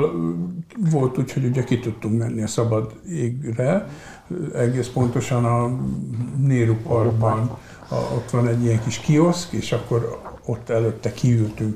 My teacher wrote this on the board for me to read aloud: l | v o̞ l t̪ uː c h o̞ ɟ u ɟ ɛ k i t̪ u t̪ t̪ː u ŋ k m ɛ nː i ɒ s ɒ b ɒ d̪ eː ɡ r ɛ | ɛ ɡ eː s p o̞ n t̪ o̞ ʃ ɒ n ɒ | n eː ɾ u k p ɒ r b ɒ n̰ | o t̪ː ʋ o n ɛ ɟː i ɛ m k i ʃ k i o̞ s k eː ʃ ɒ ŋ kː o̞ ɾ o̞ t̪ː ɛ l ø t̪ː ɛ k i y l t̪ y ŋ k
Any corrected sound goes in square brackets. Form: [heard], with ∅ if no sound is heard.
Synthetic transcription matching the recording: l | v o̞ l t̪ uː c h o̞ ɟ u ɟ ɛ k i t̪ u t̪ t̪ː u ŋ k m ɛ nː i ɒ s ɒ b ɒ d̪ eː ɡ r ɛ | ɛ ɡ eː s p o̞ n t̪ o̞ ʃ ɒ n ɒ | n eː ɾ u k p ɒ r b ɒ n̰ | o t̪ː ʋ [ɒ] n ɛ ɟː i ɛ [ŋ] k i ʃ k i o̞ s k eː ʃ ɒ [∅] kː o̞ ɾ o̞ t̪ː ɛ l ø t̪ː ɛ k i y l t̪ y ŋ k